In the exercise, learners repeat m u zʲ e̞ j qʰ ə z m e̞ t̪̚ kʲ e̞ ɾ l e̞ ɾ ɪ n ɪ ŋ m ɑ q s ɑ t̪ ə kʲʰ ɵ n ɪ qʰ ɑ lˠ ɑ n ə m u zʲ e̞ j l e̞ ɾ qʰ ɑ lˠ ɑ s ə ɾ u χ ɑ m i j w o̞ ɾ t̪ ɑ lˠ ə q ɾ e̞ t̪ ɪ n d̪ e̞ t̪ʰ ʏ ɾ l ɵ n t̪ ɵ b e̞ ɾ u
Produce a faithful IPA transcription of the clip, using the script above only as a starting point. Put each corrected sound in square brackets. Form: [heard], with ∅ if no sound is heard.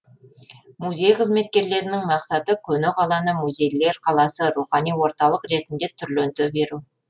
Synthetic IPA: m u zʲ e̞ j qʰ ə z m e̞ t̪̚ kʲ e̞ ɾ l e̞ ɾ ɪ n ɪ ŋ m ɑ q s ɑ t̪ ə kʲʰ ɵ n ɪ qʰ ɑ lˠ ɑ n ə m u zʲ e̞ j l e̞ ɾ qʰ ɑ lˠ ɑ s ə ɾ u χ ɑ [n] i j w o̞ ɾ t̪ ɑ lˠ ə q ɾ e̞ t̪ ɪ n d̪ e̞ t̪ʰ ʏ ɾ l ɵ n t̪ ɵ b e̞ ɾ u